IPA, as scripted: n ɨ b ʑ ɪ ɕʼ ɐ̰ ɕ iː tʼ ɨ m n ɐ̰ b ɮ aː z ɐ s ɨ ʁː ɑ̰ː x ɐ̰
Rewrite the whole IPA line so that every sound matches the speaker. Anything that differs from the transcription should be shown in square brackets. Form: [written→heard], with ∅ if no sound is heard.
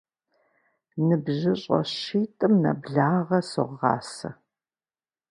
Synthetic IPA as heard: n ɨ b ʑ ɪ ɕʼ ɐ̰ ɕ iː tʼ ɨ m n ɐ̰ b ɮ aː [z→ʁ] ɐ s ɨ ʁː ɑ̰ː [x→s] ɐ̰